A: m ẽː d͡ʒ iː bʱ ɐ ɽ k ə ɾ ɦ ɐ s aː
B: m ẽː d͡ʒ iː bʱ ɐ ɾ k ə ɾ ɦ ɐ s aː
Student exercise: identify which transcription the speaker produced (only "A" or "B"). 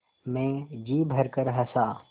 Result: B